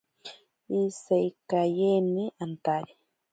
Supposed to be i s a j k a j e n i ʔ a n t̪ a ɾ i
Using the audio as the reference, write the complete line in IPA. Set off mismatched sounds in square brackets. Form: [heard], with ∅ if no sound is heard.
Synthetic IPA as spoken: i s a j k a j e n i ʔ a n t̪ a ɾ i